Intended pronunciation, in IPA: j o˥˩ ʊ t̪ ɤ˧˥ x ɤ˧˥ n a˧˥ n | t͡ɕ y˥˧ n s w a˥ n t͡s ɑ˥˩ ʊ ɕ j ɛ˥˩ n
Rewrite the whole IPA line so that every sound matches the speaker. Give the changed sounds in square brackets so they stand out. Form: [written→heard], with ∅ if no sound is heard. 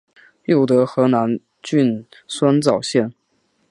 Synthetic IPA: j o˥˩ ʊ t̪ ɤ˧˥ x ɤ˧˥ n a˧˥ n | t͡ɕ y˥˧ n s w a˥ n t͡s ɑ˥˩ ʊ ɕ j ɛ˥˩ n